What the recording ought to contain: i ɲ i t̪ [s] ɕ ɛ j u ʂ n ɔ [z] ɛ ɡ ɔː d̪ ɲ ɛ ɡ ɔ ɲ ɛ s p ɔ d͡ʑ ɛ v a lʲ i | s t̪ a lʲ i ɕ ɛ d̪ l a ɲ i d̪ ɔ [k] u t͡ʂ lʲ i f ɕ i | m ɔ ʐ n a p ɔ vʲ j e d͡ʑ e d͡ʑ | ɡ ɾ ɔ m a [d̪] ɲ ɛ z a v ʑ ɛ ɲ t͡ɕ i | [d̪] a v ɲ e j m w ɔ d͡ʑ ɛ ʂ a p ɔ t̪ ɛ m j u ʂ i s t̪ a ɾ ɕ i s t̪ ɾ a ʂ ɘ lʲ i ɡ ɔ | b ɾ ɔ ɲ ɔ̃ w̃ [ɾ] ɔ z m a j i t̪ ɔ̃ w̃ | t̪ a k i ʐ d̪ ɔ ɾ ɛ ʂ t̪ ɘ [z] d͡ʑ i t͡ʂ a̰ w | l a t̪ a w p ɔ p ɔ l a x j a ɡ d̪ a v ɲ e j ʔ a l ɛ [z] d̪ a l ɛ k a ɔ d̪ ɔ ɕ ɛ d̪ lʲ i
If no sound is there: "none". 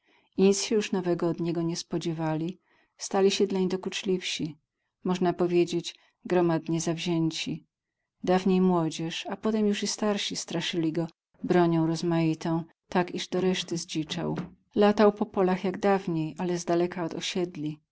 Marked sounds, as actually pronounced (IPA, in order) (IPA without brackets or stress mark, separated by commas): s, v, k, d̪, d̪, ɾ, z, z